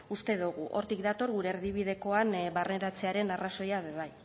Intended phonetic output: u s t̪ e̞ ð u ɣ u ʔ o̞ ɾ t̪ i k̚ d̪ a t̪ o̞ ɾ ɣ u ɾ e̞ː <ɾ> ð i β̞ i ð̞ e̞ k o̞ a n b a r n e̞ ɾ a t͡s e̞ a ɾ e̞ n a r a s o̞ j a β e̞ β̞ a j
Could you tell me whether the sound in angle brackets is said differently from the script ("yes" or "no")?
no